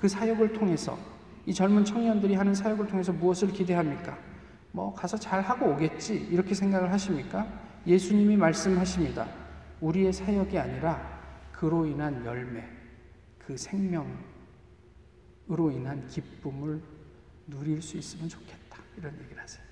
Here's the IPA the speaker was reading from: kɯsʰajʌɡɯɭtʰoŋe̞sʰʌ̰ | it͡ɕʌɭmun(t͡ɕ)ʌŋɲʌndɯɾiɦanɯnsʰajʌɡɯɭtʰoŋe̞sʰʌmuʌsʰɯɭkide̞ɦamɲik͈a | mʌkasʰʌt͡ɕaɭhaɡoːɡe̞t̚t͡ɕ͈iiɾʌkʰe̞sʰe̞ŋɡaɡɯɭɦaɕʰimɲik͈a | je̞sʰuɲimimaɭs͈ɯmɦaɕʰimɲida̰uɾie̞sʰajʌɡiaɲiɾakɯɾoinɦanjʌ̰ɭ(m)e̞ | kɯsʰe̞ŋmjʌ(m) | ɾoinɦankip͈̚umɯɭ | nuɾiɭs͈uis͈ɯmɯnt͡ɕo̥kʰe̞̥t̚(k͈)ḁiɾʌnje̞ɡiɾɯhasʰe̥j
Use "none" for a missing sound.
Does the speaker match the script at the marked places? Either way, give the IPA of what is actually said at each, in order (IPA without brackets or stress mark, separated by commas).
t͡ɕʰ, m, ŋ, t͈